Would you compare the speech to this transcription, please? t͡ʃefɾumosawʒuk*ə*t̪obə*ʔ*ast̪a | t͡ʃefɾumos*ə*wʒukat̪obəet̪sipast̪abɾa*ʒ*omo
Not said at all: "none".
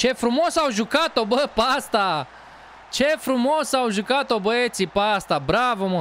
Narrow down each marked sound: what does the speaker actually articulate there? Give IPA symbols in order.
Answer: a, p, a, v

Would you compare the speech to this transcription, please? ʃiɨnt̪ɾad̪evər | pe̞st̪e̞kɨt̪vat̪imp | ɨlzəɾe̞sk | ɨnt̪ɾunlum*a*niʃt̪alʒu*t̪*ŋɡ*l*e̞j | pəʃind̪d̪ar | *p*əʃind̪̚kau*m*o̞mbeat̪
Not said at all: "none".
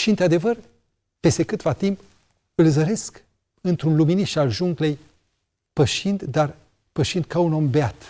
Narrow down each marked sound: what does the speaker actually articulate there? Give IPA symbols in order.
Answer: i, none, l, p, n

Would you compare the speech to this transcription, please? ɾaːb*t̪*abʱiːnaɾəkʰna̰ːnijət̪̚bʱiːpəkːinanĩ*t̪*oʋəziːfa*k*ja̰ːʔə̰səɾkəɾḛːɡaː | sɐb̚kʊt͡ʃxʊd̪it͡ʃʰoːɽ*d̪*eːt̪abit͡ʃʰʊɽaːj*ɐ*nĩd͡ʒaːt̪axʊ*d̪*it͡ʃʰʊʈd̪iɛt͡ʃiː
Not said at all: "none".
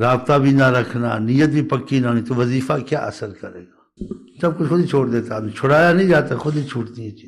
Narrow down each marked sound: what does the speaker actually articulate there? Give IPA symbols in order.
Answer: t̪, t̪, k, d̪, a, d̪

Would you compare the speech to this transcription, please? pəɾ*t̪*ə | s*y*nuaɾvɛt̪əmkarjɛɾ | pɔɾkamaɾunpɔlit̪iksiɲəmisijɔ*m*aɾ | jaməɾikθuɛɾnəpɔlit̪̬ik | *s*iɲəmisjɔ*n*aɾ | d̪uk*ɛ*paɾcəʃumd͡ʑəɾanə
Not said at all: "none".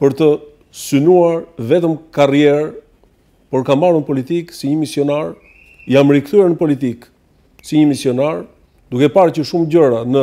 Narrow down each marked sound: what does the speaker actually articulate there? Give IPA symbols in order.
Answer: t̪, y, n, s, n, ɛ

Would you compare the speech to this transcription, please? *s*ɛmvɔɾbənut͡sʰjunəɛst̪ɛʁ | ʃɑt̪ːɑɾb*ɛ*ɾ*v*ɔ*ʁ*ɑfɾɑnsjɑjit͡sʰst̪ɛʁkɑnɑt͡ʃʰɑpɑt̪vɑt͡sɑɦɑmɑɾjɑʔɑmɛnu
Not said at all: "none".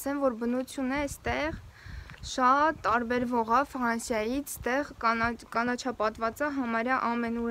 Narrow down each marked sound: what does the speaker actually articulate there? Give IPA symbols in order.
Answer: s, ɛ, v, ʁ

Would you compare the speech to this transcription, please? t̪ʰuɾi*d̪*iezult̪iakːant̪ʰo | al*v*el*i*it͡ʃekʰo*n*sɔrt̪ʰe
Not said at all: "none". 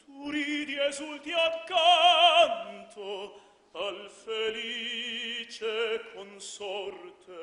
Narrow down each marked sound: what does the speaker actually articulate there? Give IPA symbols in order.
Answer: d̪, f, i, n

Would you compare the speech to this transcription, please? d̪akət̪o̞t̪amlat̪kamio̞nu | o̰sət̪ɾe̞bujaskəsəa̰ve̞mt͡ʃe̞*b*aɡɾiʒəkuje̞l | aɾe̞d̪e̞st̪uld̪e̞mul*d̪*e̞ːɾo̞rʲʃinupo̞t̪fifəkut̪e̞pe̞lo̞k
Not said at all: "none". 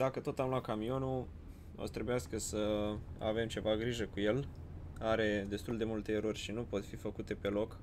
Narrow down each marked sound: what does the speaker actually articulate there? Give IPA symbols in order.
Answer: v, t̪

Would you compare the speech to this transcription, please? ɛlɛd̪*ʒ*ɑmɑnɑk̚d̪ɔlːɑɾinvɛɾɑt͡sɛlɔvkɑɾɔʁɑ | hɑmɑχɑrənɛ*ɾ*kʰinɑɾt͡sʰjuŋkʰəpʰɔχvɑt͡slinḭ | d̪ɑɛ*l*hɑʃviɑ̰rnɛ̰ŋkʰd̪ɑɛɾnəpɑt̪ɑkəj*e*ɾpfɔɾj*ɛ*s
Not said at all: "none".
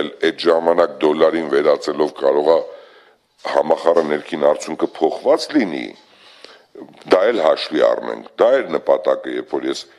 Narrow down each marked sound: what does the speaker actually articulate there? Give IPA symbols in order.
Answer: ʒ, ɾ, l, ɛ, ɛ

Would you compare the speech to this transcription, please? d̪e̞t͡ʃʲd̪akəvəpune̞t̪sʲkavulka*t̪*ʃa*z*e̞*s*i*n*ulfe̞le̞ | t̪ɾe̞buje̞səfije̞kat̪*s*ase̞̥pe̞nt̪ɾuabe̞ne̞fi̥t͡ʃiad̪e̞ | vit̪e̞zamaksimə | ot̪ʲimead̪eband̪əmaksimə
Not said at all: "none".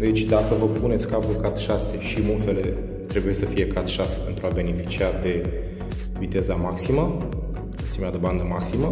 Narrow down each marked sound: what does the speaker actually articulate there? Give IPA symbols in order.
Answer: t̪, s, ʃ, m, ʃ

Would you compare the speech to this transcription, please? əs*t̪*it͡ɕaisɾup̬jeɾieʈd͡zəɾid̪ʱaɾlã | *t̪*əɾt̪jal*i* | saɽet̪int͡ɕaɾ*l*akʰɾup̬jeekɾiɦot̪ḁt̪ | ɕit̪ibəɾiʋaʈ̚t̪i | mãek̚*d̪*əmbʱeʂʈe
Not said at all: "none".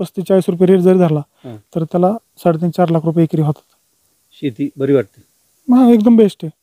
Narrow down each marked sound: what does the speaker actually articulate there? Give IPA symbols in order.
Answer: t̪, t̪, a, l, d̪

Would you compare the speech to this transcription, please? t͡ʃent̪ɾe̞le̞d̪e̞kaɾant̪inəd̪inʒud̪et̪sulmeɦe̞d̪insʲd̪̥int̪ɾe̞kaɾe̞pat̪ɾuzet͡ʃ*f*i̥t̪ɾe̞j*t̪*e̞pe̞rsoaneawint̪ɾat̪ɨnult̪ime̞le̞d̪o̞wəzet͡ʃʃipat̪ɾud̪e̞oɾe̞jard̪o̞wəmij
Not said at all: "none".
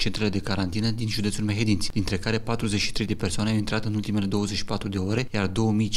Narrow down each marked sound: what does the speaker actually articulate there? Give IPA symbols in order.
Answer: ʃ, d̪

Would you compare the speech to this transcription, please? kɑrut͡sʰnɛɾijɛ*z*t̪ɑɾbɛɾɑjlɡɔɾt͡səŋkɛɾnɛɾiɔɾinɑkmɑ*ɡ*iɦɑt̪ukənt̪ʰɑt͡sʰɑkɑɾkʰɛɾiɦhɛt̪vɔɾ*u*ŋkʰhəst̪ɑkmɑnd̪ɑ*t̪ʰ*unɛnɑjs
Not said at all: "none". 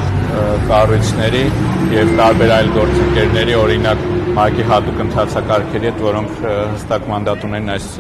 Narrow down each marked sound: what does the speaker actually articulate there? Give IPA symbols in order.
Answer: v, k, ɔ, t̪

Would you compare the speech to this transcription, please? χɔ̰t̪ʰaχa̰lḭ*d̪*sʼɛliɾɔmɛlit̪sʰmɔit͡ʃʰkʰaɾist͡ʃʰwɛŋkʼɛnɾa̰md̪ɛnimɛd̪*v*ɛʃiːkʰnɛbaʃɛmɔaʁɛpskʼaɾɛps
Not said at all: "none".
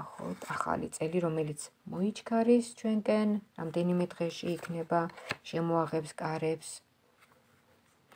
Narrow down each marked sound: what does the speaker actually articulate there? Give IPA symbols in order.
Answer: t̪, ʁ

